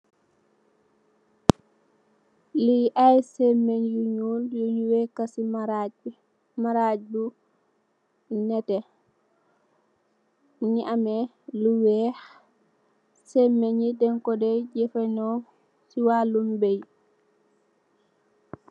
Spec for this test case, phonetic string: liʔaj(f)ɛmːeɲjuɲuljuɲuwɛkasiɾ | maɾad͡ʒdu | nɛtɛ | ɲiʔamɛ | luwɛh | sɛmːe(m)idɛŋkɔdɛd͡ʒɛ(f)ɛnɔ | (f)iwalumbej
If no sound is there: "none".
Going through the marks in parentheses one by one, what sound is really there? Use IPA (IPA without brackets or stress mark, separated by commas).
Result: s, ɲ, f, s